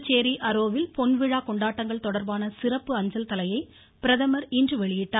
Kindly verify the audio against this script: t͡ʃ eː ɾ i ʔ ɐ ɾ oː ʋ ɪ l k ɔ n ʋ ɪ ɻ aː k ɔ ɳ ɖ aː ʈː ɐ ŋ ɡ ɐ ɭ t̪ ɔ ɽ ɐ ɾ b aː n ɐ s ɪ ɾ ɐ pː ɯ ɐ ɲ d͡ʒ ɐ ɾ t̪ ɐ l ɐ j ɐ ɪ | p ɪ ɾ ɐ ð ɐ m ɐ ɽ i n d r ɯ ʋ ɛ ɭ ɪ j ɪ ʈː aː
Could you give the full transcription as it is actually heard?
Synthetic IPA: t͡ʃ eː ɾ i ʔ ɐ ɾ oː ʋ ɪ l p ɔ n ʋ ɪ ɻ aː k ɔ ɳ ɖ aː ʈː ɐ ŋ ɡ ɐ ɭ t̪ ɔ ɽ ɐ ɾ b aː n ɐ s ɪ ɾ ɐ pː ɯ ɐ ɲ d͡ʒ ɐ l t̪ ɐ l ɐ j ɐ ɪ | p ɪ ɾ ɐ ð ɐ m ɐ ɾ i n d r ɯ ʋ ɛ ɭ ɪ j ɪ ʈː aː